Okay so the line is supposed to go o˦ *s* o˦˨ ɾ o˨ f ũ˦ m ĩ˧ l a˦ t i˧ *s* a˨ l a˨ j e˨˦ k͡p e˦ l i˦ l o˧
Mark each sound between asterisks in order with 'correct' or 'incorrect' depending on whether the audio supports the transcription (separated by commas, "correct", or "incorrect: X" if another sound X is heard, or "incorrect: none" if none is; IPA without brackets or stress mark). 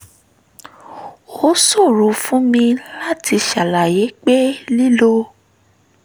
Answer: correct, incorrect: ʃ